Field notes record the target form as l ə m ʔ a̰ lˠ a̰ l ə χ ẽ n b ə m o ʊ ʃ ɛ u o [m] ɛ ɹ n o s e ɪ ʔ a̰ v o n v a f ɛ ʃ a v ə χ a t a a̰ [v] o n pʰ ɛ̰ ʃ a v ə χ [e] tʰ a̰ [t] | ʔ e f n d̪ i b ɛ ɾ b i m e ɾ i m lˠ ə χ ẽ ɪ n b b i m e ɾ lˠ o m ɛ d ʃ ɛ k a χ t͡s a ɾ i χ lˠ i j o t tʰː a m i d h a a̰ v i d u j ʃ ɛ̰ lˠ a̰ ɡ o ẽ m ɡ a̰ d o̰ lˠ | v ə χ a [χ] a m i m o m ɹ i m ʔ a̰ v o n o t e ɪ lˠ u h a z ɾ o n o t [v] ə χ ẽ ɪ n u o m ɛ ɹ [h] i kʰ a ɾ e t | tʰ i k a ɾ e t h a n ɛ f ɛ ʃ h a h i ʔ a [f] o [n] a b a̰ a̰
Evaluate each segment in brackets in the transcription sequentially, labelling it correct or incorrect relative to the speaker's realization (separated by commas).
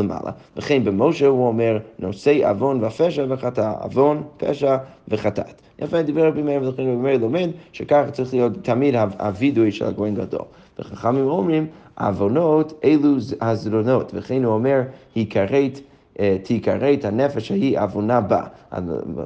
correct, correct, incorrect, correct, correct, correct, correct, incorrect, correct